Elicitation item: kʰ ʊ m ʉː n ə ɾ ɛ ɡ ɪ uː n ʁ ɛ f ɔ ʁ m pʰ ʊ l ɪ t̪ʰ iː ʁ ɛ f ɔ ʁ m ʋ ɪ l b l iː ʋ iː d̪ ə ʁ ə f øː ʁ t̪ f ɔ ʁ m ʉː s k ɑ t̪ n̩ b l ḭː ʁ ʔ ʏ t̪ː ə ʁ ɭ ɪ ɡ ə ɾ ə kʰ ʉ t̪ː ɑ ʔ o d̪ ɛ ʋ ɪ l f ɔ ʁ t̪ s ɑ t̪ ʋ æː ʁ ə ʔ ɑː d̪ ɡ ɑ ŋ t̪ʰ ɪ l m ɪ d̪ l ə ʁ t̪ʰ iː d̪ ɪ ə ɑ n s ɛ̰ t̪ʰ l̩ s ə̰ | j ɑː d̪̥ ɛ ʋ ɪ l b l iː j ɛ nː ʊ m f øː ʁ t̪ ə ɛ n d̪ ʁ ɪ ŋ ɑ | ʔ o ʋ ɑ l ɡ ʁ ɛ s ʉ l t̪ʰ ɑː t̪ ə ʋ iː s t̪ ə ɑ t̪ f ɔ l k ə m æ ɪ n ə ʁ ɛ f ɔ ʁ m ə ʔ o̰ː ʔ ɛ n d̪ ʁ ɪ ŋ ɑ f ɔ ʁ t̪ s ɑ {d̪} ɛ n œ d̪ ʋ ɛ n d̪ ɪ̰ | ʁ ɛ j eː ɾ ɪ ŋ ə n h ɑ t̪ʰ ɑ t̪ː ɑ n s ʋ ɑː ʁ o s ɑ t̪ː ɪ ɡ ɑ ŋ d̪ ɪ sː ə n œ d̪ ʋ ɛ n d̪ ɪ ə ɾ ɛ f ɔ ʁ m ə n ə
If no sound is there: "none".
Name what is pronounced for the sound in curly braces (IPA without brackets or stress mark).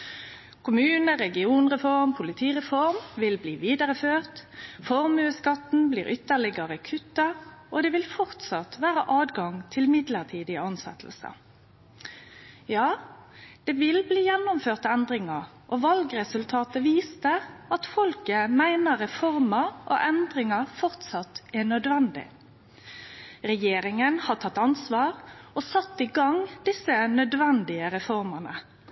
t̪